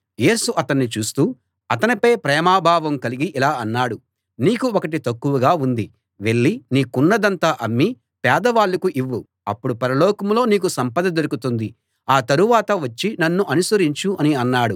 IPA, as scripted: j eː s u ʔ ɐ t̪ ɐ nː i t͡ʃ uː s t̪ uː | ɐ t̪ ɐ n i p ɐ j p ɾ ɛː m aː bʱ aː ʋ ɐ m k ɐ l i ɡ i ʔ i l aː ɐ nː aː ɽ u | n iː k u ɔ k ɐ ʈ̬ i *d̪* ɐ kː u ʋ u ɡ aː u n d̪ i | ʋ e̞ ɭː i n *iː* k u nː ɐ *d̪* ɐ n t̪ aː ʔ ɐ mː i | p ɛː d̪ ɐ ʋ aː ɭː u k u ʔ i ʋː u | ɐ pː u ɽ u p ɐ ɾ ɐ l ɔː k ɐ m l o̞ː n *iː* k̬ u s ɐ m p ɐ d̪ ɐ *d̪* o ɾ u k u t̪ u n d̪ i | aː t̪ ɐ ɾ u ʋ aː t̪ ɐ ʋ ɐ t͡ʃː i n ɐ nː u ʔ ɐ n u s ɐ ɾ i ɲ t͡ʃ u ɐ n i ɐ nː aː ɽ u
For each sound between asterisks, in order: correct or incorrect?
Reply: incorrect, correct, correct, correct, correct

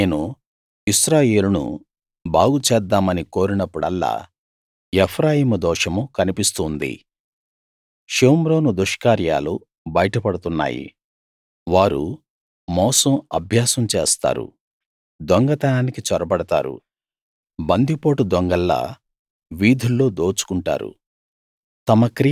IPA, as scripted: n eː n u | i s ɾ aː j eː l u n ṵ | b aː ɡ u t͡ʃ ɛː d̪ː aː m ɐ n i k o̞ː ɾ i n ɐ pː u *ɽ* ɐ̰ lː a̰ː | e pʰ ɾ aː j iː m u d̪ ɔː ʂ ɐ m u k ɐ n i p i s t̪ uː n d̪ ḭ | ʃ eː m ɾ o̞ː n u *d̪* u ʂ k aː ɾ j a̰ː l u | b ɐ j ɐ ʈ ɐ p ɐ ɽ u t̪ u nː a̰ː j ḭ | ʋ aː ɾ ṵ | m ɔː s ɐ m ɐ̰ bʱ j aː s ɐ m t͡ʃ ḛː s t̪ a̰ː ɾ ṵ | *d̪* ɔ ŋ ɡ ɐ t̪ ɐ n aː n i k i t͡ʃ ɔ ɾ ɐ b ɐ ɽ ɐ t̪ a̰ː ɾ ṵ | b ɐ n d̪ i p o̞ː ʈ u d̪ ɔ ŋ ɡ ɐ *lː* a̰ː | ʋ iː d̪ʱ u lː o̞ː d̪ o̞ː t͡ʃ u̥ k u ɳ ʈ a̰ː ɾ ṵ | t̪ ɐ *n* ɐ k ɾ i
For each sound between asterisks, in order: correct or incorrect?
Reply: correct, correct, correct, correct, incorrect

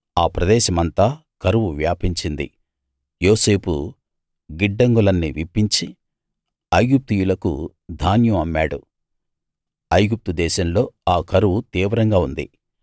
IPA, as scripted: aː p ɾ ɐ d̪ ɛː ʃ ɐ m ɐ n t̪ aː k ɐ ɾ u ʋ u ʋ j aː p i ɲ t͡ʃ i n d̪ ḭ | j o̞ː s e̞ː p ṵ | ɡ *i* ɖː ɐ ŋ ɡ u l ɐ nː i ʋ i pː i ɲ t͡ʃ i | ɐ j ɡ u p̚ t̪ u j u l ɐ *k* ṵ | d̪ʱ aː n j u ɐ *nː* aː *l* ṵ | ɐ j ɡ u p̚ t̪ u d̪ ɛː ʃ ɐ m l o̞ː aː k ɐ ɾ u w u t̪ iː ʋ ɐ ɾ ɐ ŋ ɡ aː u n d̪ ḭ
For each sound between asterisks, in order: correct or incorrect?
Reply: correct, correct, incorrect, incorrect

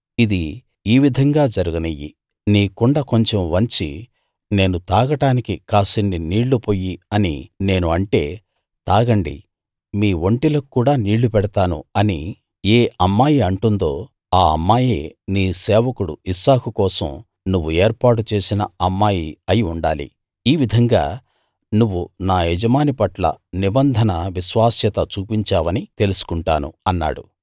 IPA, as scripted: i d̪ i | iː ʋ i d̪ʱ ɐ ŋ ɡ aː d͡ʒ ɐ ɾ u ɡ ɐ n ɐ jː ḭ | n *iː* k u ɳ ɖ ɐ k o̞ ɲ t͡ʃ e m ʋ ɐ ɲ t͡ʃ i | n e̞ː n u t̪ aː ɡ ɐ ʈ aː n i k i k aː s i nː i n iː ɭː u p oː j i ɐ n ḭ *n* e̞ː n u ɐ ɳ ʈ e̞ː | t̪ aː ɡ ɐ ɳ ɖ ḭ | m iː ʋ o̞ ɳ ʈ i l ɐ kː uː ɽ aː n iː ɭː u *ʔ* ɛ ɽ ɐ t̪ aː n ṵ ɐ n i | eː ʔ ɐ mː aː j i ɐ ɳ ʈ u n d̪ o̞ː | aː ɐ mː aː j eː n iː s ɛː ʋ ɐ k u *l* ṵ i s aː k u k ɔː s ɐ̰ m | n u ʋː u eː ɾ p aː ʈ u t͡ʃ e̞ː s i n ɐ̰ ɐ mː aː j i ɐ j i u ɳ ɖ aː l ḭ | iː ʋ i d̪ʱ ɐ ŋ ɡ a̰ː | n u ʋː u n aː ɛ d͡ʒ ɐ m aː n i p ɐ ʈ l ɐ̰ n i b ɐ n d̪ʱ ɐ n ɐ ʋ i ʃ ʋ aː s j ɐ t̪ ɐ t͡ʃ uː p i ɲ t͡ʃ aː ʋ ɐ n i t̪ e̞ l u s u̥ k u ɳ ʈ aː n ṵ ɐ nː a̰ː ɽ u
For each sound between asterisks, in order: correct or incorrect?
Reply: correct, correct, incorrect, incorrect

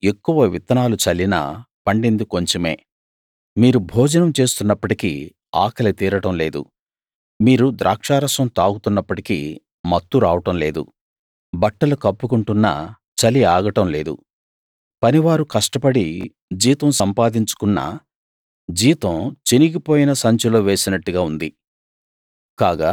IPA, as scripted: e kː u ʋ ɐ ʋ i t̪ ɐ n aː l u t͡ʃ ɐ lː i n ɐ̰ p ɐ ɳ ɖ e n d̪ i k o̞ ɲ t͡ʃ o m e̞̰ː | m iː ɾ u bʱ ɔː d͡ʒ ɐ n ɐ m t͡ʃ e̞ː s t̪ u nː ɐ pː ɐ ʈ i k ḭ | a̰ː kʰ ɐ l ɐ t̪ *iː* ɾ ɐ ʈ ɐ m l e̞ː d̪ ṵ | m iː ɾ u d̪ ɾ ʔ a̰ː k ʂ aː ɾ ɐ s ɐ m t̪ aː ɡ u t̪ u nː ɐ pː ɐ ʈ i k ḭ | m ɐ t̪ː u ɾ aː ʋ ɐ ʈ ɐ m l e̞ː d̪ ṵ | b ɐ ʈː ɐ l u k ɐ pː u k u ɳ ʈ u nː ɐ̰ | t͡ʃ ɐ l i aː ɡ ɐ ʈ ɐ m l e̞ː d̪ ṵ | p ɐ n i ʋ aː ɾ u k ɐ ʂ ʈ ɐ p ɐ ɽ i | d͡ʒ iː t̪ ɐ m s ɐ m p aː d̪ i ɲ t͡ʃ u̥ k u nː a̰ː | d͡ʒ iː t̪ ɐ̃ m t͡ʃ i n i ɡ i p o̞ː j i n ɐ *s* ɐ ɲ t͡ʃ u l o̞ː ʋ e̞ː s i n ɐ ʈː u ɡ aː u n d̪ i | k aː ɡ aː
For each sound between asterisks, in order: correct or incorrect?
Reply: correct, correct

